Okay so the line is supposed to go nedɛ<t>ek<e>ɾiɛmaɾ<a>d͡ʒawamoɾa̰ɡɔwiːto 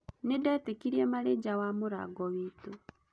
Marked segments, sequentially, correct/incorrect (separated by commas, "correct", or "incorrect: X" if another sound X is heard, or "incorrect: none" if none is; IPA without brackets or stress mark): correct, incorrect: i, incorrect: e